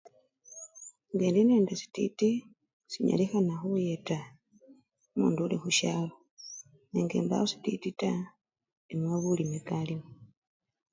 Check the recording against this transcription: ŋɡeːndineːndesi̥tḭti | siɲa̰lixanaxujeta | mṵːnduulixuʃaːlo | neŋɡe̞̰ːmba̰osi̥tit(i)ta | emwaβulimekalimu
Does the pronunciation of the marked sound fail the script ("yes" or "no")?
no